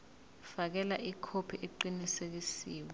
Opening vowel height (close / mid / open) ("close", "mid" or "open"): open